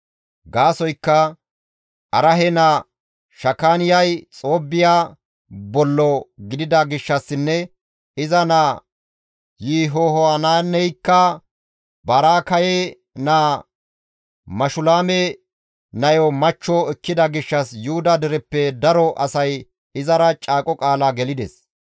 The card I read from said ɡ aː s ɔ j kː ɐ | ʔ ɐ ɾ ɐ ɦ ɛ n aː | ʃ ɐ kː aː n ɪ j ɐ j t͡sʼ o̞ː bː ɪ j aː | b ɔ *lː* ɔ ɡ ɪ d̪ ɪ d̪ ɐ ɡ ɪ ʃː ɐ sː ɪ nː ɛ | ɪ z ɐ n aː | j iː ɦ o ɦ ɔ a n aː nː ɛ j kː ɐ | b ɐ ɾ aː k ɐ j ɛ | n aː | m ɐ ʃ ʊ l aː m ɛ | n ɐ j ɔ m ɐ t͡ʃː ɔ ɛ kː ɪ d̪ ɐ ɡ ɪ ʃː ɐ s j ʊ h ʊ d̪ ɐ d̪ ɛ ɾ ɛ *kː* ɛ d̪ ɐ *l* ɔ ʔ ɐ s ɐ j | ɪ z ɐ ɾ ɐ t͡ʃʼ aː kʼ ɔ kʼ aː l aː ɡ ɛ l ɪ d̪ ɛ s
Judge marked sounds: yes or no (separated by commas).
yes, no, no